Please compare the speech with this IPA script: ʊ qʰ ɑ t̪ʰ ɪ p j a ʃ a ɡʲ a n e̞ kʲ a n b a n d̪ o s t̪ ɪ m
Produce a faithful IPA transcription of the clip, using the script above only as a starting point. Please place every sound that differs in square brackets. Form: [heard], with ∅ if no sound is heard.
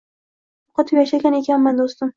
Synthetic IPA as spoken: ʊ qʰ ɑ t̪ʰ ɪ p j a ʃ a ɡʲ a n e̞ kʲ a n [m] a n d̪ o s t̪ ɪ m